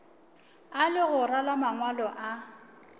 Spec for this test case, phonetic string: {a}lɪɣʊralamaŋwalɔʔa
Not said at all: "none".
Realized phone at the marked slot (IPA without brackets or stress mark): a